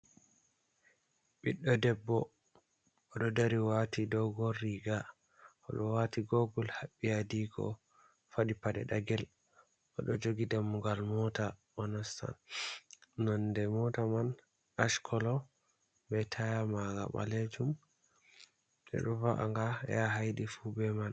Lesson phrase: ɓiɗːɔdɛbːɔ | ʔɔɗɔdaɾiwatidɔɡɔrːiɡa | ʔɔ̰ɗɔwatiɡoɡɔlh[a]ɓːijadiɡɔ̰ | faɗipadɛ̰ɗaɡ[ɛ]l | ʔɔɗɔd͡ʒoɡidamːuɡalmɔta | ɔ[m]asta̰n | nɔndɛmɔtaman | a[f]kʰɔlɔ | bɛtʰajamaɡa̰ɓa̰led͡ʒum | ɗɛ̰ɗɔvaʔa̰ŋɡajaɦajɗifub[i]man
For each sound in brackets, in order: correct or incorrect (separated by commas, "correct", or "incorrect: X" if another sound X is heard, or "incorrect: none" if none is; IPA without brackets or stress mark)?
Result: correct, correct, incorrect: n, incorrect: ʃ, incorrect: ɛ